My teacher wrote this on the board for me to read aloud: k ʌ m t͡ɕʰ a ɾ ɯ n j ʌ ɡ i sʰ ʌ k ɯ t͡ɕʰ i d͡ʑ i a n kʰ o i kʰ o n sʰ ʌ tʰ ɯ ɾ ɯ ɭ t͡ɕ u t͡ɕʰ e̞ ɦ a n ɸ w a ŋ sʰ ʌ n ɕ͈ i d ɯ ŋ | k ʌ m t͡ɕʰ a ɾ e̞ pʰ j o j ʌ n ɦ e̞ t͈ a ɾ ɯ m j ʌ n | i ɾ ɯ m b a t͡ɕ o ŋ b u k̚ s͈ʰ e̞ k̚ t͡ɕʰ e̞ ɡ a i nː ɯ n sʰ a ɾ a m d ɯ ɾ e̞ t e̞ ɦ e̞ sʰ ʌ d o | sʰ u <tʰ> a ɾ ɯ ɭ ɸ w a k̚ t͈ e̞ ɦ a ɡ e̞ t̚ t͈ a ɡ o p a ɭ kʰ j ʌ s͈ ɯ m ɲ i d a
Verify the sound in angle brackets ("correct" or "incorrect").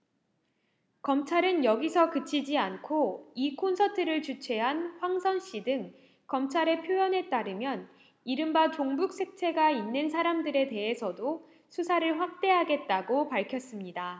incorrect